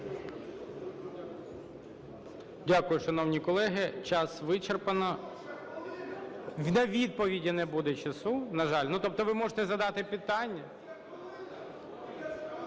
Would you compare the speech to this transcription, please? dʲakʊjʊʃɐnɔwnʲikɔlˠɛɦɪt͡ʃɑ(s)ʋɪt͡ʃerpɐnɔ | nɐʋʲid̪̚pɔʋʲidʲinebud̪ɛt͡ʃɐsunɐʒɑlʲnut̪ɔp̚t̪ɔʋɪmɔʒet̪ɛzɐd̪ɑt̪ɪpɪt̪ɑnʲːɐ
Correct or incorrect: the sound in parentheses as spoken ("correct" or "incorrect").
correct